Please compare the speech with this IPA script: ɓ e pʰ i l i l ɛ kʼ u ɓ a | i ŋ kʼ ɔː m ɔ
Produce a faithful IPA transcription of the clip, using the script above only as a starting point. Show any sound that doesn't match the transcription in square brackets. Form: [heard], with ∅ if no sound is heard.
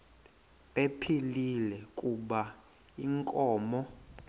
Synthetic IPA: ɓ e pʰ i l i l ɛ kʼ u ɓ a | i ŋ kʼ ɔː m ɔ